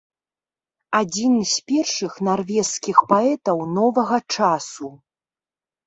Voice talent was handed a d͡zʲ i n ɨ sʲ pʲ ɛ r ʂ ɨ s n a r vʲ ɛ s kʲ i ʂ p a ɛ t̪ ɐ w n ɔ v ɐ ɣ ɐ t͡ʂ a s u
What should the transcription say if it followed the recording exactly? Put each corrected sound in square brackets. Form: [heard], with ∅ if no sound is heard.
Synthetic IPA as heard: a d͡zʲ i n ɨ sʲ pʲ ɛ r ʂ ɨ [x] n a r vʲ ɛ s kʲ i [x] p a ɛ t̪ ɐ w n ɔ v ɐ ɣ ɐ t͡ʂ a s u